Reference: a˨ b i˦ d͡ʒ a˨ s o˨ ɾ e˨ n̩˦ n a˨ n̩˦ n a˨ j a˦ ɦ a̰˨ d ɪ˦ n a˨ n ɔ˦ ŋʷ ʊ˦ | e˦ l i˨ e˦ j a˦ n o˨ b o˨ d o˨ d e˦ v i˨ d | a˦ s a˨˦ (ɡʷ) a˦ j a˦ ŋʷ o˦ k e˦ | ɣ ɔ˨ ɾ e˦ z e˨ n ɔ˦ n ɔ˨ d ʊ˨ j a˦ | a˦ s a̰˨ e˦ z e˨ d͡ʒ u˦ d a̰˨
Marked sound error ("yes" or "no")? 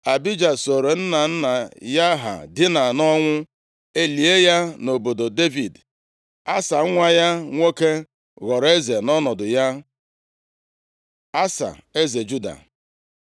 yes